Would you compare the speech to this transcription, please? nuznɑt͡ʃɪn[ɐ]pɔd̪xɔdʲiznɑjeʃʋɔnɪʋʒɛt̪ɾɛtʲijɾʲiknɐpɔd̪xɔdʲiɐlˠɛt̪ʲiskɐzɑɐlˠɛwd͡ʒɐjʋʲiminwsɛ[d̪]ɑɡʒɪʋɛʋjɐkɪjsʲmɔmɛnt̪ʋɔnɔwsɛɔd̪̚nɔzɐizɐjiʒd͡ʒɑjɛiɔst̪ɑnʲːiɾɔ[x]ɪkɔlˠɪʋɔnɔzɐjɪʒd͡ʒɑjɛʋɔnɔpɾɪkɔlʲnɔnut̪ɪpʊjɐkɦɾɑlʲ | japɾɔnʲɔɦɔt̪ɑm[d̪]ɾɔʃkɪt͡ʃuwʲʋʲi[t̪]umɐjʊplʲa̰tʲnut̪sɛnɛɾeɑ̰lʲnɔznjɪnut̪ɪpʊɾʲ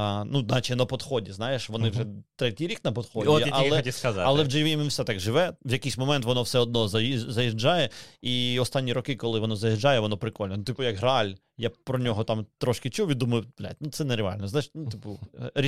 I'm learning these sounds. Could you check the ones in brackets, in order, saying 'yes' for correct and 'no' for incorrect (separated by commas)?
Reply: yes, no, no, no, no